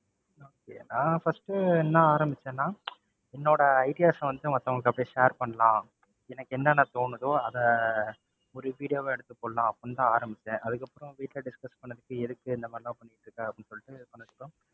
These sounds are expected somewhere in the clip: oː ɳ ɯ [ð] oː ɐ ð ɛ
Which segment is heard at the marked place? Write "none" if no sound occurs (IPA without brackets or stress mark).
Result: ð